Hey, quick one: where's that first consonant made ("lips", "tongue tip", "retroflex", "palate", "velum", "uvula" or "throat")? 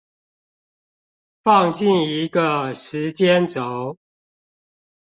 lips